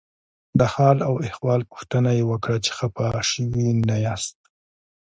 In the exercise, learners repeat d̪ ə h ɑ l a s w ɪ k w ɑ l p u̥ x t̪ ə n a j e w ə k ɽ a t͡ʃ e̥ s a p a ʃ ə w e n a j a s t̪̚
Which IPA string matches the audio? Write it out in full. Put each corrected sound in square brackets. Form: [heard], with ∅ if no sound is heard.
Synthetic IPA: d̪ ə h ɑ l a [∅] w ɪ [x] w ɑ l p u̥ x t̪ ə n a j e w ə k ɽ a t͡ʃ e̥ [x] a p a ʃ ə w [i] n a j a s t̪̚